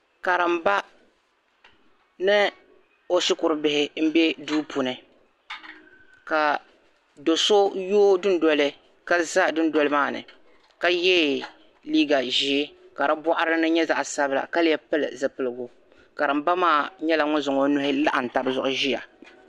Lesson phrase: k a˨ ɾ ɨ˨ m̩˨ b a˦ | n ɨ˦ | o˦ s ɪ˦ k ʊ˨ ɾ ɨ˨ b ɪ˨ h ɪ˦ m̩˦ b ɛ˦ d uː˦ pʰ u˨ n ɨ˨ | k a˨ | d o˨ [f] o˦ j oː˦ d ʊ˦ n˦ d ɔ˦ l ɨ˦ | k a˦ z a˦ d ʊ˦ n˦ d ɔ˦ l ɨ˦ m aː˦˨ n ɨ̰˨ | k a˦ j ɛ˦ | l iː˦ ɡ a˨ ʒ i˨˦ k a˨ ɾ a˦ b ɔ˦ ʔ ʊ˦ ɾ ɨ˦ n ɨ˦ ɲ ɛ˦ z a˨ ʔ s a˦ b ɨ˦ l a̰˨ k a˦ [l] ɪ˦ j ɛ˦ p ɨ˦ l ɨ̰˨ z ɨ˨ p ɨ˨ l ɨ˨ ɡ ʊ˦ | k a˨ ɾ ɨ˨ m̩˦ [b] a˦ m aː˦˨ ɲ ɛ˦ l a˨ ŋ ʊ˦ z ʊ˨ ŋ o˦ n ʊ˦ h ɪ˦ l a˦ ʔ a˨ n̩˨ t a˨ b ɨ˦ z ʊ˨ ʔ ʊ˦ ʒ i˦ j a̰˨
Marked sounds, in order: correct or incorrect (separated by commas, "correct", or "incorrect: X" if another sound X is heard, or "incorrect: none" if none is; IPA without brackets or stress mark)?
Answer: incorrect: s, correct, correct